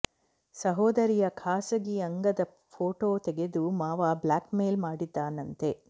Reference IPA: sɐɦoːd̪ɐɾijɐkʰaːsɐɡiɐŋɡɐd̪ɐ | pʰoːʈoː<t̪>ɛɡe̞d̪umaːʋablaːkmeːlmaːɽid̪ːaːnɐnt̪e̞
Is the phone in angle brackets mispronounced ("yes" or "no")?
no